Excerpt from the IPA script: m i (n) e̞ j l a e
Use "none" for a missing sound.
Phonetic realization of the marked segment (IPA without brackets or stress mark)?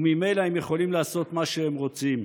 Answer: m